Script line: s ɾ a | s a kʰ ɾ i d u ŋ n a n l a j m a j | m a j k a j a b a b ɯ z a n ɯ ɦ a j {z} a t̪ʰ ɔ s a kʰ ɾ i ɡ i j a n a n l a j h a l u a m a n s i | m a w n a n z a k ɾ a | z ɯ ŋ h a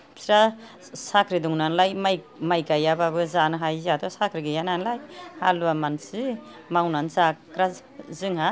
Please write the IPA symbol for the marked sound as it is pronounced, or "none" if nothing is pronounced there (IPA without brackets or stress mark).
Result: z